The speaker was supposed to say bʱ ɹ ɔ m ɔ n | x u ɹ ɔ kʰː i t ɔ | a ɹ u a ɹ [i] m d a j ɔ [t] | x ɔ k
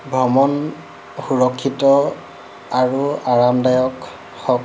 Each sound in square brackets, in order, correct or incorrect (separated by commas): incorrect, incorrect